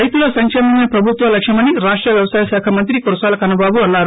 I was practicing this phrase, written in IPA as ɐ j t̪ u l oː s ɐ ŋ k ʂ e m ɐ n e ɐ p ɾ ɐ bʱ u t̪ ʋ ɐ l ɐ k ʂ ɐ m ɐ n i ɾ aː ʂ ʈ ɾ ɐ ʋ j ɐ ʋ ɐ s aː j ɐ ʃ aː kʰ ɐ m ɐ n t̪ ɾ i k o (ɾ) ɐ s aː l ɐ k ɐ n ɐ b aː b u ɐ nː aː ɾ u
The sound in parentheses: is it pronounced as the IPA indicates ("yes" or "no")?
yes